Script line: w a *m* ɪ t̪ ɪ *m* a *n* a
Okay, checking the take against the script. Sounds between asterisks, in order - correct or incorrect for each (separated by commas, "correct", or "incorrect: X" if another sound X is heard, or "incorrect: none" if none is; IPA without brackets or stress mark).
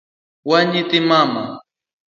incorrect: ɲ, correct, incorrect: m